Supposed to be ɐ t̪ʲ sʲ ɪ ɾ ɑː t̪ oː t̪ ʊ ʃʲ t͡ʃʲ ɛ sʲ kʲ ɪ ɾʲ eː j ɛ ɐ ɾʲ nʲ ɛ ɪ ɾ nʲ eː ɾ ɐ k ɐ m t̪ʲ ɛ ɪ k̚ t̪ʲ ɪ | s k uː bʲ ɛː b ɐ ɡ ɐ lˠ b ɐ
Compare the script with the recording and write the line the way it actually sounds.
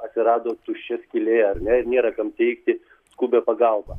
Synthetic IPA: ɐ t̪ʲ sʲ ɪ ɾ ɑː d̪ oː t̪ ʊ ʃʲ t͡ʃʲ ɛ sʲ kʲ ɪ lʲ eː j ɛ ɐ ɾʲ nʲ ɛ ɪ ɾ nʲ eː ɾ ɐ k ɐ m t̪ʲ ɛ ɪ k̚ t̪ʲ ɪ | s k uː bʲ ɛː p ɐ ɡ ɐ lˠ b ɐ